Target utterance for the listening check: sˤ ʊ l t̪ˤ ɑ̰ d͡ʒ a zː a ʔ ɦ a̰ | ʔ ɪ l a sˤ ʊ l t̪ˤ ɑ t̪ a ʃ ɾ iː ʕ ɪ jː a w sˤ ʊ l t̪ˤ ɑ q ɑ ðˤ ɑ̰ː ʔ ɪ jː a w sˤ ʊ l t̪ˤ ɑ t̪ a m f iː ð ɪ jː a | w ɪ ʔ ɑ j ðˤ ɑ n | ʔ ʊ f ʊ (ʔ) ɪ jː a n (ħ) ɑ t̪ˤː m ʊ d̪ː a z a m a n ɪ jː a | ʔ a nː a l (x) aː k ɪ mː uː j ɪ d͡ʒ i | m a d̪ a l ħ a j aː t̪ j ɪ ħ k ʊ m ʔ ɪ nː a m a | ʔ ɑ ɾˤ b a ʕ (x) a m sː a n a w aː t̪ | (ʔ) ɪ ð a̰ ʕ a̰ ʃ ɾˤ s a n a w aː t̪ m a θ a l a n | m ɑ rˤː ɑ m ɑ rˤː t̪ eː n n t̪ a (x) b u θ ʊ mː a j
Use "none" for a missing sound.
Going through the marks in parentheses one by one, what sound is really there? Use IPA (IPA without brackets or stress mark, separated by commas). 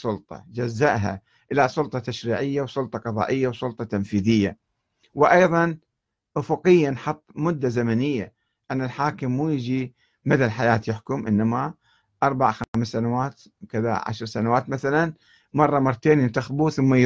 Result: q, ħ, ħ, x, k, x